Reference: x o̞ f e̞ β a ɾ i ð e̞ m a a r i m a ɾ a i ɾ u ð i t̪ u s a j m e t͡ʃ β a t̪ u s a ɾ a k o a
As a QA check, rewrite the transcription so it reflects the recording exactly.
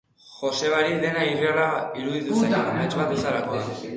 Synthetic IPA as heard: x o̞ s e̞ β a ɾ i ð e̞ n a i r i a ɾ a i ɾ u ð i t̪ u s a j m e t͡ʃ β a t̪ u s a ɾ a k o a